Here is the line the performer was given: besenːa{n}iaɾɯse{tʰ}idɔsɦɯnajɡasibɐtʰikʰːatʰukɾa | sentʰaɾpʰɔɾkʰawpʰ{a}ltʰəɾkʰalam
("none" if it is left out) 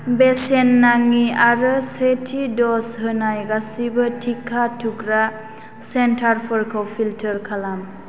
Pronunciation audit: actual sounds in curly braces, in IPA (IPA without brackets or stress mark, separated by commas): ŋ, tʰ, i